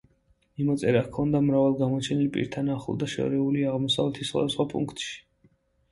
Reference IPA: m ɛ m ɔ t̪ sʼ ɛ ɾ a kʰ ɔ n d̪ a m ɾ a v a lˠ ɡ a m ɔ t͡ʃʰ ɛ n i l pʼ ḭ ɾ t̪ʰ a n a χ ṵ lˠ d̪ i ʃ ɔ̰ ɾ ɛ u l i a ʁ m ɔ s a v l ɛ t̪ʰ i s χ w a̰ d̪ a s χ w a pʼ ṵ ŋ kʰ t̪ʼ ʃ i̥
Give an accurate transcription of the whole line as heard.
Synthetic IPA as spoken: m i m ɔ t̪ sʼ ɛ ɾ a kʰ ɔ n d̪ a m ɾ a v a lˠ ɡ a m ɔ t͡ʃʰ ɛ n i l pʼ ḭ ɾ t̪ʰ a n a χ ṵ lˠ d̪ a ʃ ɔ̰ ɾ ɛ u l i a ʁ m ɔ s a v l ɛ t̪ʰ i s χ w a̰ d̪ a s χ w a pʼ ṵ ŋ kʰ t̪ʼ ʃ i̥